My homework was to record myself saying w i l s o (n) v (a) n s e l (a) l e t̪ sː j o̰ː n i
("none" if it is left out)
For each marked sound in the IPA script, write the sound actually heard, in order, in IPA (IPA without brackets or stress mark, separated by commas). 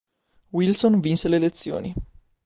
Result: n, i, e